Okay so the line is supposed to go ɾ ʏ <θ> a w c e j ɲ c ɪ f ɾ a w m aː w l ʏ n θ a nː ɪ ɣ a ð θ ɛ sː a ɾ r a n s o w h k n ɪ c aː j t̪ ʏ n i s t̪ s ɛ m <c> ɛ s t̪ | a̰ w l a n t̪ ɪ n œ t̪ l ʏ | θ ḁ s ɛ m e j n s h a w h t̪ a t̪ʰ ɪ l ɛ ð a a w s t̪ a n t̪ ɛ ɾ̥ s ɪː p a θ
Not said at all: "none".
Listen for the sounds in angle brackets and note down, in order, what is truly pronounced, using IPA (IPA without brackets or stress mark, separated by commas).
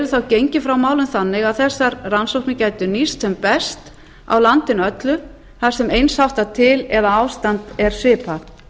θ, p